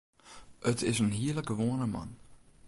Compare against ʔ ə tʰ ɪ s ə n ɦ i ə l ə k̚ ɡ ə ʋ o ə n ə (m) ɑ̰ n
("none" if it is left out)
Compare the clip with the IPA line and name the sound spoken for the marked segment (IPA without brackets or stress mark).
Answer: m